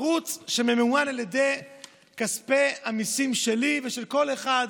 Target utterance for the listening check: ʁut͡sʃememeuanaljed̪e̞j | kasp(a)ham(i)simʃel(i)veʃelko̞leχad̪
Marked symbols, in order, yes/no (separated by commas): no, yes, yes